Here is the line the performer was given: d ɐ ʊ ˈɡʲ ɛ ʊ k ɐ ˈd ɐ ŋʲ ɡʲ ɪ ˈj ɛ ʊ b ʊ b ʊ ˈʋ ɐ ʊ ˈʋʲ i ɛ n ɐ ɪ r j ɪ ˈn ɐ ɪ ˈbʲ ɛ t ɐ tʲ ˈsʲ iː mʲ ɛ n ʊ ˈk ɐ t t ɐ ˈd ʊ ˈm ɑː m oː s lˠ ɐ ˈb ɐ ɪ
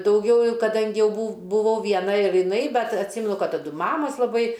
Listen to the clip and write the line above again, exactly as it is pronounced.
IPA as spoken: d ɐ ʊ ˈɡʲ ɛ ʊ k ɐ ˈd ɐ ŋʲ ɡʲ ɪ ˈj ɛ ʊ b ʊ b ʊ ˈʋ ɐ ʊ ˈʋʲ i ɛ n ɐ ɪ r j ɪ ˈn ɐ ɪ ˈbʲ ɛ t ɐ tʲ ˈsʲ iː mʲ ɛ n ʊ ˈk ɐ t t ɐ ˈd ʊ ˈm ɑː m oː s lˠ ɐ ˈb ɐ ɪ